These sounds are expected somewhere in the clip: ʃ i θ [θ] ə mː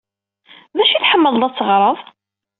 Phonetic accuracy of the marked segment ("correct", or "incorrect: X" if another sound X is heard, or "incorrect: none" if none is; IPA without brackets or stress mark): incorrect: ħ